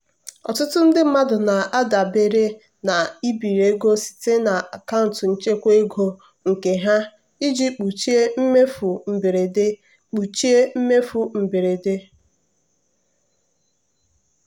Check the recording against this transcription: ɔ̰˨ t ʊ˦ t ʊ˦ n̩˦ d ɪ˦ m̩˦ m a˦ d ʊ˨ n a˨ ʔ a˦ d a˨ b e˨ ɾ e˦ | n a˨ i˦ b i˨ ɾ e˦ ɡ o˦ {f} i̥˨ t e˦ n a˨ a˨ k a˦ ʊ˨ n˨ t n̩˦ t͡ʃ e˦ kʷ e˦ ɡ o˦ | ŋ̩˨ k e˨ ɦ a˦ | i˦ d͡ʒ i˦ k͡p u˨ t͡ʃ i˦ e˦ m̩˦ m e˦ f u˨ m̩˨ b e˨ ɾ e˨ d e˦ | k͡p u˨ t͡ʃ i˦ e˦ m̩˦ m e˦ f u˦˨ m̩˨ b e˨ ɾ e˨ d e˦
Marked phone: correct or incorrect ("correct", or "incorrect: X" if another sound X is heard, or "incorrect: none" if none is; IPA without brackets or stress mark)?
incorrect: s